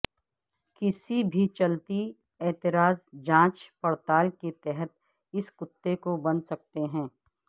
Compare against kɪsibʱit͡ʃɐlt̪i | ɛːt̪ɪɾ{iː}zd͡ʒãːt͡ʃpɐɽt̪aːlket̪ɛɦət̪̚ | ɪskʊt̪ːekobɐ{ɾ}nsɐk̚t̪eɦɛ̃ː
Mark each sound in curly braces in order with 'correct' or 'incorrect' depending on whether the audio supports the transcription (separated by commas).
incorrect, incorrect